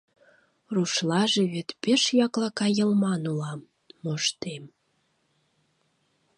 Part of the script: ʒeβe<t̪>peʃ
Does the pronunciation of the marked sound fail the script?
no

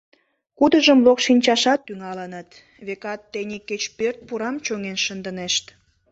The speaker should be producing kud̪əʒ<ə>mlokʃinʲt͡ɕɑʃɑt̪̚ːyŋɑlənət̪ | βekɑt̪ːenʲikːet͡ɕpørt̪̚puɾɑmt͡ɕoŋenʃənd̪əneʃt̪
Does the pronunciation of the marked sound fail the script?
no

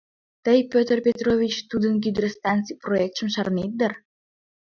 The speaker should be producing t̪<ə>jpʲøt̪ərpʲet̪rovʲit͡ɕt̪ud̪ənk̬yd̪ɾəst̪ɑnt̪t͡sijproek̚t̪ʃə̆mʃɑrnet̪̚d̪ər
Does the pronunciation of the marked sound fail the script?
no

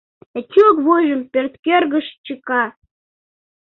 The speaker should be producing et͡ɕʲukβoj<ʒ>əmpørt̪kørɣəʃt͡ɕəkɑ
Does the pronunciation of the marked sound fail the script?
no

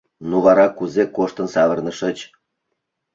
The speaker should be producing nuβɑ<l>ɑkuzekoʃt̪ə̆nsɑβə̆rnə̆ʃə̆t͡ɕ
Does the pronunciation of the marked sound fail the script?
yes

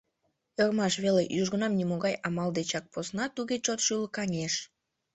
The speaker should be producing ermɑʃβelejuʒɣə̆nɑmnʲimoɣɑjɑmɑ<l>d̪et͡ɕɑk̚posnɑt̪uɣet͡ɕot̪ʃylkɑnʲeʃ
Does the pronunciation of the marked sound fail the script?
no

